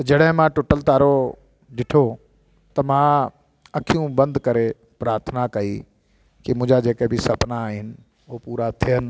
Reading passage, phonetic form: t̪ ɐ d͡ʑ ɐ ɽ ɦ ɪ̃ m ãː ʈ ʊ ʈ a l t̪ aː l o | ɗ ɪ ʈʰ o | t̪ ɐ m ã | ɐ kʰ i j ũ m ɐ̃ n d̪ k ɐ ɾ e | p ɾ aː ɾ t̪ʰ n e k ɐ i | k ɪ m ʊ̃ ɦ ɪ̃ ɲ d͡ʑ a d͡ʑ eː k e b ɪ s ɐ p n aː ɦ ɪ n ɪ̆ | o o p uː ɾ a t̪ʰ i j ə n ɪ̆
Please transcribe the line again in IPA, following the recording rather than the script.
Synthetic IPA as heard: t̪ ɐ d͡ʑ ɐ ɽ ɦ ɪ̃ m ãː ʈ ʊ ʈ ə l t̪ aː ɾ o | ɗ ɪ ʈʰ o | t̪ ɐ m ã | ɐ kʰ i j ũ b ɐ̃ n d̪ k ɐ ɾ e | p ɾ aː ɾ t̪ʰ n a k ɐ i | k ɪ m ʊ̃ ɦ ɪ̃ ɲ d͡ʑ a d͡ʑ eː k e b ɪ s ɐ p n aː ɦ ɪ n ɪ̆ | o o p uː ɾ a t̪ʰ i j ə n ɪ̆